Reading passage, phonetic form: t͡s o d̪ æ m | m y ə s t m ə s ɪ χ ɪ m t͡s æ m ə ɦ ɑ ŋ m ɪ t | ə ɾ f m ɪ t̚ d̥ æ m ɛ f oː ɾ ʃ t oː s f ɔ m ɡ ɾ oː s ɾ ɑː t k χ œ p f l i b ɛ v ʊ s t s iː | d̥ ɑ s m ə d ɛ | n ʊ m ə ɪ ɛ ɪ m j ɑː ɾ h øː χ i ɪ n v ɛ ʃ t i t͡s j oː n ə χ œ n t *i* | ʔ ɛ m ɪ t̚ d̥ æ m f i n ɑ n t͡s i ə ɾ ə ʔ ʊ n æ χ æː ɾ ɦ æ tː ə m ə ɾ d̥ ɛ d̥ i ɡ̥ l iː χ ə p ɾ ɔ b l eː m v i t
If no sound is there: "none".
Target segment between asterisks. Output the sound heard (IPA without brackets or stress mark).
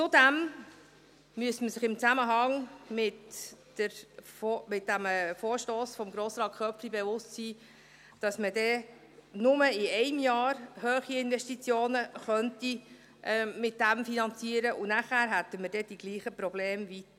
i